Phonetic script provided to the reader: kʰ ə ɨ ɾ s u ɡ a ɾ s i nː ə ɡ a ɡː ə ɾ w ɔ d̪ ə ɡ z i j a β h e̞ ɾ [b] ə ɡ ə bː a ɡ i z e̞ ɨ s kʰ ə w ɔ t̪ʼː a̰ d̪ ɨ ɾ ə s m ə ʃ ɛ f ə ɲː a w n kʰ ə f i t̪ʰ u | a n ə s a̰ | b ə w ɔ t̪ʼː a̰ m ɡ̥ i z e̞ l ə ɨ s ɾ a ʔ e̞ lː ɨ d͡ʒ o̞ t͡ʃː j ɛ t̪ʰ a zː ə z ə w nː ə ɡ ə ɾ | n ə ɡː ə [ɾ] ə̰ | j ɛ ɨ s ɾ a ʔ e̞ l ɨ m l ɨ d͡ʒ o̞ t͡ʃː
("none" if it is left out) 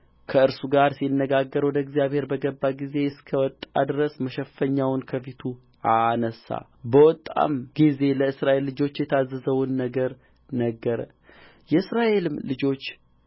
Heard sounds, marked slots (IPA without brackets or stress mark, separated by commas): b, ɾ